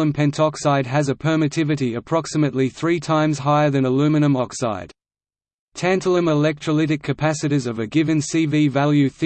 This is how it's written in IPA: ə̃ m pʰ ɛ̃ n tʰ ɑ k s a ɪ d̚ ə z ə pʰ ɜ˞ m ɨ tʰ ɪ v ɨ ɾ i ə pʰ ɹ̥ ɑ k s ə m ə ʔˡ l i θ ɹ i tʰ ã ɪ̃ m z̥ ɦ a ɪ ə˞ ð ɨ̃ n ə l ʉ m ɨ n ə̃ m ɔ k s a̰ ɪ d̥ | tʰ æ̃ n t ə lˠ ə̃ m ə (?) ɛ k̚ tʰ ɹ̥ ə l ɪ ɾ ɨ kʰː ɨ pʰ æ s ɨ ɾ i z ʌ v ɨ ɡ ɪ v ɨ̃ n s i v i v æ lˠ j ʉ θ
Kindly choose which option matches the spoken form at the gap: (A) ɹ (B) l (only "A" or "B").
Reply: B